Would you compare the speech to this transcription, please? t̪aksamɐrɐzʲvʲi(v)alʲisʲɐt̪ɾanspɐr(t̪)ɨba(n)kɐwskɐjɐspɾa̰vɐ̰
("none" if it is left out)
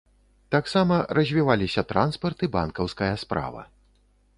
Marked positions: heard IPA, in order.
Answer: v, t̪, n

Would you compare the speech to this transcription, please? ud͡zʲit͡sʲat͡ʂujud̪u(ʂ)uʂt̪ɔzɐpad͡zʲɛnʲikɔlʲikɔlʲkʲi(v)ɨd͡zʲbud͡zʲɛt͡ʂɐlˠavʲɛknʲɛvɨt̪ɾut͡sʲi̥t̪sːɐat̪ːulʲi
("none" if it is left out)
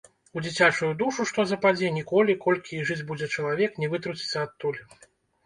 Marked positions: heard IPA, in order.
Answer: ʂ, ʐ

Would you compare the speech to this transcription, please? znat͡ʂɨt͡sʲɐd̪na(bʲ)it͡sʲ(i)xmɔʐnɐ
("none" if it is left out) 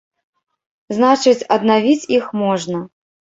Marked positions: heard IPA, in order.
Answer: vʲ, i

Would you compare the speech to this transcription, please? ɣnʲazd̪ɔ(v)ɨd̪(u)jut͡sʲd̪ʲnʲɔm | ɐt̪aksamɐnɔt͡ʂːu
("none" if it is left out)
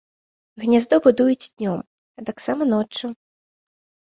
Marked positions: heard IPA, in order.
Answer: b, u

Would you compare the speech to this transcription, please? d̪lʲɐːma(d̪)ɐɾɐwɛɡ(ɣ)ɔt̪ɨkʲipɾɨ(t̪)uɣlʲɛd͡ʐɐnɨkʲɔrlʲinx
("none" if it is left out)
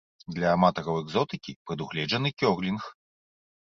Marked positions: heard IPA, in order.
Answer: t̪, z, d̪

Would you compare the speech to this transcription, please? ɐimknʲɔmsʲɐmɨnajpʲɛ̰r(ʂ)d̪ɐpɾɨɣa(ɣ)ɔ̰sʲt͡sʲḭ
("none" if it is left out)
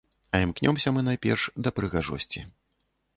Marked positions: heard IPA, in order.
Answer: ʂ, ʐ

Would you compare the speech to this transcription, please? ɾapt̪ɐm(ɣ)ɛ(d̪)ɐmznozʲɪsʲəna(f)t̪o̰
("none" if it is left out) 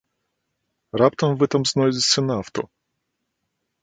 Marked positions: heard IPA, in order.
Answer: v, t̪, f

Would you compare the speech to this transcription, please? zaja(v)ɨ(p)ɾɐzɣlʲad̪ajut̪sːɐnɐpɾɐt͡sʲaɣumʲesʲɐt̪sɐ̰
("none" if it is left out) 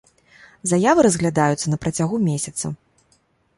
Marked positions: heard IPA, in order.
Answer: v, none

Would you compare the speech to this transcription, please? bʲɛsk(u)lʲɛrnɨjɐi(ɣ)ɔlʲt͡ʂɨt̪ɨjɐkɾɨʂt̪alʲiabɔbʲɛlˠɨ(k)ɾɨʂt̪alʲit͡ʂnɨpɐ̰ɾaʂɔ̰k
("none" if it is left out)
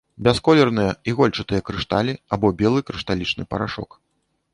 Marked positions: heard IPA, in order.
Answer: ɔ, ɣ, k

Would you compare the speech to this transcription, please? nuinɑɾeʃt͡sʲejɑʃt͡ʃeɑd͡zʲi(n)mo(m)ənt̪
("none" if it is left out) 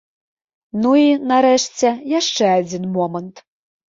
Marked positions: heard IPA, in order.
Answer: n, m

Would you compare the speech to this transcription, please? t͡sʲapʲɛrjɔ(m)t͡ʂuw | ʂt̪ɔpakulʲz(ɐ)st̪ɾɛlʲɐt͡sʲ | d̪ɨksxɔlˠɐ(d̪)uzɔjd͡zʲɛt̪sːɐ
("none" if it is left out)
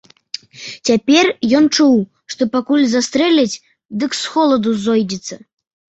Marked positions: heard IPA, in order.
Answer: n, a, d̪

